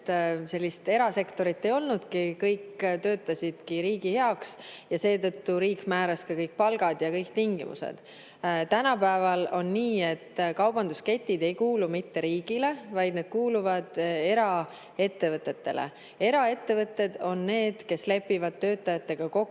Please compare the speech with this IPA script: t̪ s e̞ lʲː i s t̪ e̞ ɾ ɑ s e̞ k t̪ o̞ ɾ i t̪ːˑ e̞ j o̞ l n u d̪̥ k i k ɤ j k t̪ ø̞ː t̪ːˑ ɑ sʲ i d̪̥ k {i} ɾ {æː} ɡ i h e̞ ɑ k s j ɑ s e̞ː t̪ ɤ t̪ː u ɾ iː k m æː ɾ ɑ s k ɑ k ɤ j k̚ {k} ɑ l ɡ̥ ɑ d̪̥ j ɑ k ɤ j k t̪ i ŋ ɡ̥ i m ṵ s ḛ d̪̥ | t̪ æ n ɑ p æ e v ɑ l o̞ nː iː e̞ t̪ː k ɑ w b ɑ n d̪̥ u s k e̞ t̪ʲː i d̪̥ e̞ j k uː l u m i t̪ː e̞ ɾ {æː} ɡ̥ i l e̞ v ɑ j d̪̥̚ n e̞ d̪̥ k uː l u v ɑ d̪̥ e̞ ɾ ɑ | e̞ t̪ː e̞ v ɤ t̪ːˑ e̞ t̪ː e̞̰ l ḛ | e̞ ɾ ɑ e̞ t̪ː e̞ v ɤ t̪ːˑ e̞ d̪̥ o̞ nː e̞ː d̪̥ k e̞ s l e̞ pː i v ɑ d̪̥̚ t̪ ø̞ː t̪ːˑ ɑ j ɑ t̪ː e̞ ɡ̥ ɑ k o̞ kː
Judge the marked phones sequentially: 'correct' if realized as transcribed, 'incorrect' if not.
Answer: correct, incorrect, incorrect, incorrect

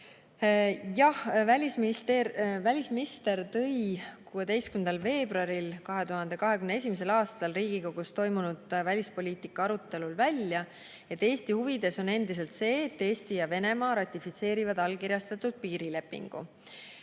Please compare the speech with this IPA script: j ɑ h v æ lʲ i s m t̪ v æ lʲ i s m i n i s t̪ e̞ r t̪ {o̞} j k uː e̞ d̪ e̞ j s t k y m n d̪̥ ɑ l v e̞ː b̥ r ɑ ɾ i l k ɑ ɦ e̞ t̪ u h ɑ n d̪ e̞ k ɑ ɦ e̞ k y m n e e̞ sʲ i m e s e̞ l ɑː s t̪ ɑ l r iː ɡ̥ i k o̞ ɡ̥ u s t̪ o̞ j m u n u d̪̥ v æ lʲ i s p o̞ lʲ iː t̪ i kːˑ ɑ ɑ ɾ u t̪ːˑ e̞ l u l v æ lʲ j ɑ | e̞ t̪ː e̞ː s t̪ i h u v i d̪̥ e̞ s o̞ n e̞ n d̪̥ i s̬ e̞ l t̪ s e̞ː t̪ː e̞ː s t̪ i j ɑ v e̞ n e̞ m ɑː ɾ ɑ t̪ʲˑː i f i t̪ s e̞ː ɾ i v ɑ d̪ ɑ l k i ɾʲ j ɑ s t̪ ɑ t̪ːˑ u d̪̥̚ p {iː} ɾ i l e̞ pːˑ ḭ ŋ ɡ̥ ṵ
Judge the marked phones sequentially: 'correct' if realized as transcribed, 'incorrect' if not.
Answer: incorrect, correct

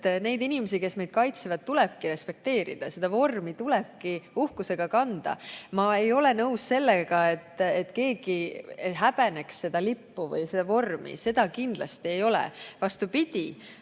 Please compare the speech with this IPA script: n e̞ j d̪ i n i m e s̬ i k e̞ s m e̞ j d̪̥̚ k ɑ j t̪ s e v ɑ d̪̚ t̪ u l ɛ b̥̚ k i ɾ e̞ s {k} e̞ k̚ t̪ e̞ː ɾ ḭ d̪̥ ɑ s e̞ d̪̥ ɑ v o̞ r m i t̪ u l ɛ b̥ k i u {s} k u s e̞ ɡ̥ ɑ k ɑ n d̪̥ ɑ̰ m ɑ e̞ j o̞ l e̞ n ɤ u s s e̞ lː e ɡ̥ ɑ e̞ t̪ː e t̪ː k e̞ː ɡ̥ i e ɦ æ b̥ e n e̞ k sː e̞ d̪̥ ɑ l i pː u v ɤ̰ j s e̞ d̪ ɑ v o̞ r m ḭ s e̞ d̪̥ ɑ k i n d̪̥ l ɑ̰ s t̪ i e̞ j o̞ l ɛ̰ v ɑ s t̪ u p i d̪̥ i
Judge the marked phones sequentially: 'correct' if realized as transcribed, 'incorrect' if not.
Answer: incorrect, incorrect

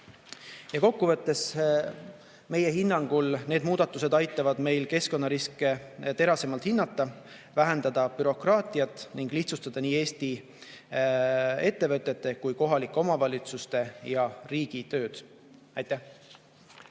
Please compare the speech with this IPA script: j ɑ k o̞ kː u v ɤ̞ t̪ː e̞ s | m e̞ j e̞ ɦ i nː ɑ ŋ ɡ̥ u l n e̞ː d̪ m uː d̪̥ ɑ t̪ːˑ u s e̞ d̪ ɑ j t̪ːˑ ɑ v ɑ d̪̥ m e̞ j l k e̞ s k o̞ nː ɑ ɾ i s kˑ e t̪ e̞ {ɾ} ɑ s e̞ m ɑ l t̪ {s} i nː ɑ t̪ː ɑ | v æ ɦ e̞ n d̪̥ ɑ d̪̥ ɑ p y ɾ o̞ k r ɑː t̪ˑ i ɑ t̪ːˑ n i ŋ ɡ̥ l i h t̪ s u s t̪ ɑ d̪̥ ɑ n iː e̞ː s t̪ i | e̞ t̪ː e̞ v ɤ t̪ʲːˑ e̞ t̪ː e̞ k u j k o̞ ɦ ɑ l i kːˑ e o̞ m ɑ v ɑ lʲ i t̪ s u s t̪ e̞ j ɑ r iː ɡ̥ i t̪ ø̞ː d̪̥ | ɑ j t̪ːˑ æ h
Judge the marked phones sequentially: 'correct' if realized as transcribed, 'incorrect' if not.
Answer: correct, incorrect

